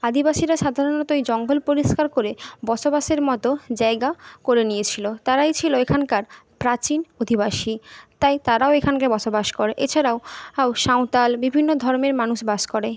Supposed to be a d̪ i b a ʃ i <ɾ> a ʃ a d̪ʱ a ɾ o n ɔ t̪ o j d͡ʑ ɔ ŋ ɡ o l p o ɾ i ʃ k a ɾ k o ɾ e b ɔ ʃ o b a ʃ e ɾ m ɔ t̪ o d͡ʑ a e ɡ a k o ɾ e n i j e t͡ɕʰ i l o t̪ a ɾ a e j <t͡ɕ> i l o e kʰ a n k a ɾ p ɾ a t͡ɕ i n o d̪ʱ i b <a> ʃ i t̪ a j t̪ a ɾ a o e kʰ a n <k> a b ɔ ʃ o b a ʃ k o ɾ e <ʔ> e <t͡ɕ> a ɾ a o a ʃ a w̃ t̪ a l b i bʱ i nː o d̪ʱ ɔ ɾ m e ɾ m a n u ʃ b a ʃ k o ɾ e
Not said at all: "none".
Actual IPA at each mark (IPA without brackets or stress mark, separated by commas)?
ɾ, t͡ɕʰ, a, k, ʔ, t͡ɕʰ